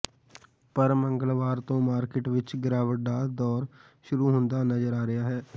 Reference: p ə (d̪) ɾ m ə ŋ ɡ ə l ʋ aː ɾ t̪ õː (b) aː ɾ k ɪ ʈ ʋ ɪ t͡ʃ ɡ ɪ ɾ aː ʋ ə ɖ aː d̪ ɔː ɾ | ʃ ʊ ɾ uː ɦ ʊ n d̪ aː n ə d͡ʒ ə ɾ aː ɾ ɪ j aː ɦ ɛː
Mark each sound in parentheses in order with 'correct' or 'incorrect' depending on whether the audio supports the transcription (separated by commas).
incorrect, incorrect